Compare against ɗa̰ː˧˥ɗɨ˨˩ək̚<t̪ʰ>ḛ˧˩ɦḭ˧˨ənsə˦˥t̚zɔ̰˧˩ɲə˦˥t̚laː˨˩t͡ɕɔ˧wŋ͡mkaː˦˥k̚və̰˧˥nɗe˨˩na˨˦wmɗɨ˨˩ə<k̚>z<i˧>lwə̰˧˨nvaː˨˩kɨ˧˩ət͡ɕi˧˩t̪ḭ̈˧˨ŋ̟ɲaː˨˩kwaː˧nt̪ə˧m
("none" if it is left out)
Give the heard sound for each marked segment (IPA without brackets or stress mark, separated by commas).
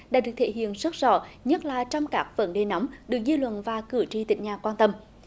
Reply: t̪ʰ, k̚, i˧